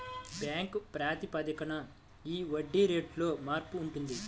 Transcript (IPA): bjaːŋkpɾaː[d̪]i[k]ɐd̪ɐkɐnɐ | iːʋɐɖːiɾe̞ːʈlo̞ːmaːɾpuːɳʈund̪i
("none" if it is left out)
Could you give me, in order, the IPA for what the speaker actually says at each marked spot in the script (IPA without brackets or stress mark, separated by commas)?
t̪, p